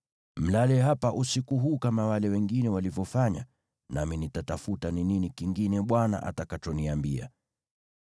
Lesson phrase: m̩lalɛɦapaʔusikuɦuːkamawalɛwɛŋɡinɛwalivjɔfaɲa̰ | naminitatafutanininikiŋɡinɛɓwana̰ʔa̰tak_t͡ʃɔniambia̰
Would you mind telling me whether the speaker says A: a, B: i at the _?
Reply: A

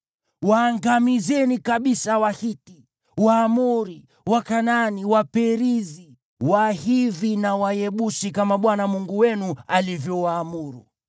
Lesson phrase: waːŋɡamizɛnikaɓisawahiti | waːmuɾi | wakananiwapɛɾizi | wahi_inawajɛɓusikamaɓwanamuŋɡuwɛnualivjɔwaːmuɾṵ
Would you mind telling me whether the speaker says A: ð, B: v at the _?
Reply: A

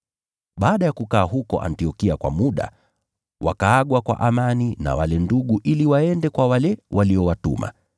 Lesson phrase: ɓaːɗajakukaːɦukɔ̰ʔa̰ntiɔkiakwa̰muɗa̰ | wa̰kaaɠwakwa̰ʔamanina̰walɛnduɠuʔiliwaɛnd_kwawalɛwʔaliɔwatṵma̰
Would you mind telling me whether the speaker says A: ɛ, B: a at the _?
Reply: A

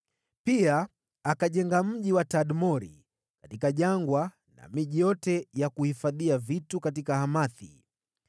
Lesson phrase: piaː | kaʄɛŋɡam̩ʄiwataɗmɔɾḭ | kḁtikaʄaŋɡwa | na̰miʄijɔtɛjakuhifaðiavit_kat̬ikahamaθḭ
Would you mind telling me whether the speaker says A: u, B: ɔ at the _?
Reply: A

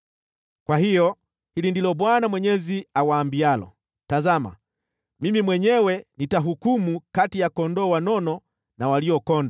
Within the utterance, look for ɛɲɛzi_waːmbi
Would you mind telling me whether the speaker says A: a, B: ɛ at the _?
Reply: A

